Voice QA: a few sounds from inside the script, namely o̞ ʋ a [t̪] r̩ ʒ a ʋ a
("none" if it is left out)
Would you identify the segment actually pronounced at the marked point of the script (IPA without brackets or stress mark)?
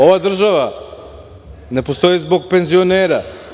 d̪